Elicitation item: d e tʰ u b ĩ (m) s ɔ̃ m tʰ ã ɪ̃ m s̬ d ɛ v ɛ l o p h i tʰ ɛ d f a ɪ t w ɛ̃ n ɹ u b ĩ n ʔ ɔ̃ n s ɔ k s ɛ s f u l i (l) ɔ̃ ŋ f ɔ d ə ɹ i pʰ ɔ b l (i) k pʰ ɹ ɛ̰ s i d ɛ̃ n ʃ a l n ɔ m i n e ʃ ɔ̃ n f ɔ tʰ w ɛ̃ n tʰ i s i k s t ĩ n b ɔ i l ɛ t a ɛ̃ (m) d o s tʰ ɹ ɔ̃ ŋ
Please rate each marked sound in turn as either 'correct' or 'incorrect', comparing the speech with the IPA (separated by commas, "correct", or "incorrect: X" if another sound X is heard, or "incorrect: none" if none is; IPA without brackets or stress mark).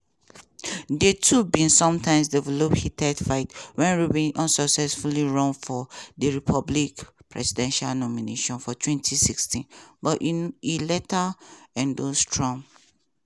incorrect: n, incorrect: ɹ, correct, incorrect: n